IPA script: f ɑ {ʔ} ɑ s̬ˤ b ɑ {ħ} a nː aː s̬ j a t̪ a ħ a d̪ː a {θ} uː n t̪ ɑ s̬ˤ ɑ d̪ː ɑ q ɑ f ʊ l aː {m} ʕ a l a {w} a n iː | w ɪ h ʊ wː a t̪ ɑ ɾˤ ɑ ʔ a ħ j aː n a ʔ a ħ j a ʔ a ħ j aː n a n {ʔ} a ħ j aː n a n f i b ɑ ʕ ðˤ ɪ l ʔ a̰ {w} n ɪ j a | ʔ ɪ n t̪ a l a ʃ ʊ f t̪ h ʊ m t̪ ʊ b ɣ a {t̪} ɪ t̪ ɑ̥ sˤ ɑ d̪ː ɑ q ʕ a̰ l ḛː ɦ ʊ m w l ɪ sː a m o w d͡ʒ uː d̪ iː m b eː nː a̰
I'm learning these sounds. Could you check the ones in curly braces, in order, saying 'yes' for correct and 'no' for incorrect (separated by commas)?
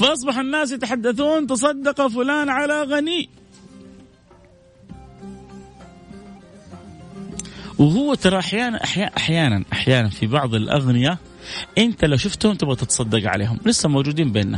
yes, yes, yes, no, no, yes, no, yes